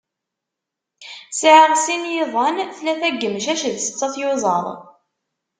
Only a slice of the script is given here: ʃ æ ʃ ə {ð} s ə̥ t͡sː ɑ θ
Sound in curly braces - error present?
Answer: no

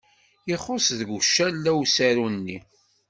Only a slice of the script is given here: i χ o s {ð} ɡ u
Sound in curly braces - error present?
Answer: no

